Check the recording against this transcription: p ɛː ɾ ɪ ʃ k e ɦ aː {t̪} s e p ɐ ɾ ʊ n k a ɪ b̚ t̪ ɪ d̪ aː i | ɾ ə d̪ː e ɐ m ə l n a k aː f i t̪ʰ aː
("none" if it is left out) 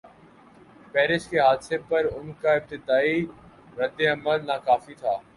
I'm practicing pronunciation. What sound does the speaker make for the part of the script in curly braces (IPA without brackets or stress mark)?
d̪